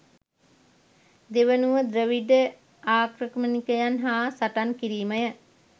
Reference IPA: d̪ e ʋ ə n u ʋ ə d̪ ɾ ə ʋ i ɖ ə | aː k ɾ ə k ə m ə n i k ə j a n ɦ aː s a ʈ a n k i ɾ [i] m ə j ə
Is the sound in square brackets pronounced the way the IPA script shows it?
no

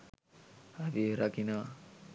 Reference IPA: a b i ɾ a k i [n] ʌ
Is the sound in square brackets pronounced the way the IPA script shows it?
yes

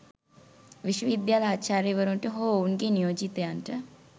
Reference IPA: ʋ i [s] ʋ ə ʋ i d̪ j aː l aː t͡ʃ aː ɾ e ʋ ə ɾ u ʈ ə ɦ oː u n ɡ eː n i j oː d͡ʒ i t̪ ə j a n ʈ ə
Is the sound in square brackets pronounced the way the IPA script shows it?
no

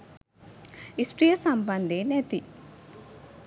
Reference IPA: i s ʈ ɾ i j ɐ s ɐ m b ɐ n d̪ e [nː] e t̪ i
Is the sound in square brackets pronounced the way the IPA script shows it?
no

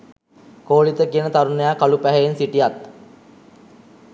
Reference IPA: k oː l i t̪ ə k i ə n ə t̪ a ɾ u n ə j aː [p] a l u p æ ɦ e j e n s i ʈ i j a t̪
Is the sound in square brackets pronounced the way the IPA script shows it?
no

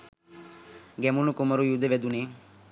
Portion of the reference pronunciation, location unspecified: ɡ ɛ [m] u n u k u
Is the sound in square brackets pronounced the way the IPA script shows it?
yes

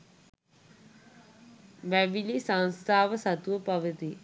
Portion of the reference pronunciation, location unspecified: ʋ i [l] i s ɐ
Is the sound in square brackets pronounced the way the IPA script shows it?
yes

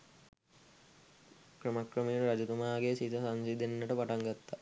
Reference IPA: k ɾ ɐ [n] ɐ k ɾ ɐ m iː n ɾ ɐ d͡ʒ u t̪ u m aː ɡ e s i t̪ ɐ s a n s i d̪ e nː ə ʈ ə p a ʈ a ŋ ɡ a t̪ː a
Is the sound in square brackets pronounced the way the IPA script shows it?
no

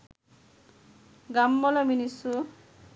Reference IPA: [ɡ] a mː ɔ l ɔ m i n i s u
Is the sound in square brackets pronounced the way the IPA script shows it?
yes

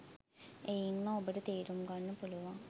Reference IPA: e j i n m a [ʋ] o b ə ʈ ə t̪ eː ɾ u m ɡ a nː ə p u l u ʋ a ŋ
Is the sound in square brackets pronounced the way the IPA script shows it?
no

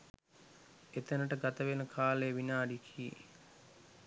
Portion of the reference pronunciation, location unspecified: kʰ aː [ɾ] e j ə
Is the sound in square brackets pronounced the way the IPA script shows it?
no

